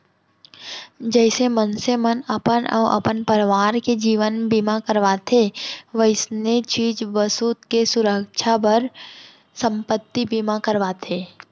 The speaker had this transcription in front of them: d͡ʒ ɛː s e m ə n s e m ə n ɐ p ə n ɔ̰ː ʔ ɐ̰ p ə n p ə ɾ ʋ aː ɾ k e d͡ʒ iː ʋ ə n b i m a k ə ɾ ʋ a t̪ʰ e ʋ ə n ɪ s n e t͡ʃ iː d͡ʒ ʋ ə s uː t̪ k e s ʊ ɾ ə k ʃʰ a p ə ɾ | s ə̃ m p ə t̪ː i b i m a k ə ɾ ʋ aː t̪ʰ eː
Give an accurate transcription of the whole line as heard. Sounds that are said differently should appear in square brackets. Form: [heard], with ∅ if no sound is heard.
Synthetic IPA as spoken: d͡ʒ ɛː s e m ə n s e m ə n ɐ p ə n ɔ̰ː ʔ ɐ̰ p ə n p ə ɾ ʋ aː ɾ k e d͡ʒ iː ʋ ə n b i m a k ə ɾ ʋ a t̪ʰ e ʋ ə [∅] ɪ s n e t͡ʃ iː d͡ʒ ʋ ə s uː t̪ k e s ʊ ɾ ə k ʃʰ a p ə ɾ | s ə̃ m p ə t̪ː i b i m a k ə ɾ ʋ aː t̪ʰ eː